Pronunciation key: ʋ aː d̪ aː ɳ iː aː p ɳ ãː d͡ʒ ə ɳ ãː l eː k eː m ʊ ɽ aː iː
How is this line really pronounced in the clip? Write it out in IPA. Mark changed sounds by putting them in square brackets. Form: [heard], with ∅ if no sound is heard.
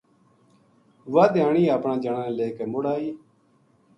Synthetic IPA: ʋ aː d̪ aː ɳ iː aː p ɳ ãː d͡ʒ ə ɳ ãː l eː k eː m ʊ ɽ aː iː